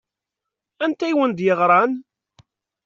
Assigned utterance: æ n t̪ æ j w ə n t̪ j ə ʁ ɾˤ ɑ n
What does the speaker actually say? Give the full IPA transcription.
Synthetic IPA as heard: æ n t̪ æ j w ə n d̪ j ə ʁ ɾˤ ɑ n